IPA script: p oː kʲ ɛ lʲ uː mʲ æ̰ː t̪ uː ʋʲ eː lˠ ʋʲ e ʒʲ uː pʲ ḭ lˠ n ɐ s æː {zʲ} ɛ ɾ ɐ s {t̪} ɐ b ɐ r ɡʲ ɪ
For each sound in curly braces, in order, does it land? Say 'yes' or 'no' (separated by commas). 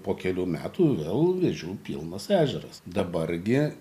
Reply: no, no